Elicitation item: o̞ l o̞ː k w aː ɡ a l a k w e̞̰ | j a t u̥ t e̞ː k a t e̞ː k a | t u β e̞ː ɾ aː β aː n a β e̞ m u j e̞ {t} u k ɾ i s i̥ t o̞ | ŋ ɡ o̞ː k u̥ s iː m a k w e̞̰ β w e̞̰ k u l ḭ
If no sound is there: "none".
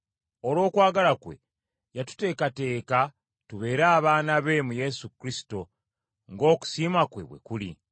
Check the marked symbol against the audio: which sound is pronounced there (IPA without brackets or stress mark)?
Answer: s